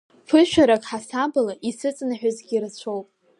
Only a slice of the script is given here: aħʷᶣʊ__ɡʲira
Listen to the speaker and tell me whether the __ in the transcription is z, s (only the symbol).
z